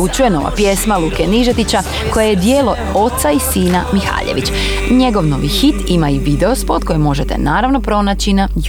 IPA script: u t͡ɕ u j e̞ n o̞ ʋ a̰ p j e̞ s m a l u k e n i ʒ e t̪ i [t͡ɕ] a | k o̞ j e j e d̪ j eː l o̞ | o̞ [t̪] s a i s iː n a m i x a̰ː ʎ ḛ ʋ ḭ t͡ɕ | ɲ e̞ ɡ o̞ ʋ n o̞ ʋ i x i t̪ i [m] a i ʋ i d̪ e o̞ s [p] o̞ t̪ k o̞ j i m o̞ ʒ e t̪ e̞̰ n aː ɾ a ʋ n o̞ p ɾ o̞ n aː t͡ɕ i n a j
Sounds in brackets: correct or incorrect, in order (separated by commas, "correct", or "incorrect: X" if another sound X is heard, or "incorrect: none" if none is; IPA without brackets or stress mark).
correct, correct, correct, correct